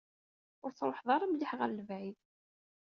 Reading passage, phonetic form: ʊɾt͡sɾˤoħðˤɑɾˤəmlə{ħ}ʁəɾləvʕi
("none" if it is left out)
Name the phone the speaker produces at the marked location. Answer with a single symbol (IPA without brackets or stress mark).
ħ